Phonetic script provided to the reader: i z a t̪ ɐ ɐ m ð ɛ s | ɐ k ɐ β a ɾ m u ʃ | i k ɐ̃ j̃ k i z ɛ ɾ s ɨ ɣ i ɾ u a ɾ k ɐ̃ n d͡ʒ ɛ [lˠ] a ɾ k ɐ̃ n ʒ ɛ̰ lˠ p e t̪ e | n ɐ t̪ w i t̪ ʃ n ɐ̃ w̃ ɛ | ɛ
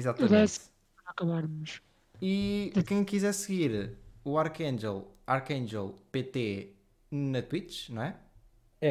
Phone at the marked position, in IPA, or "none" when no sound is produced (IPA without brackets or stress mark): lˠ